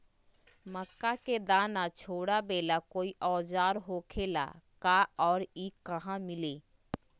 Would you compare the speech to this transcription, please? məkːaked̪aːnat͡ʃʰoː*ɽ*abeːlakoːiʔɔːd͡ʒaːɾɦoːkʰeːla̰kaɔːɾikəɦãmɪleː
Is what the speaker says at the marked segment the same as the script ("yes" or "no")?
yes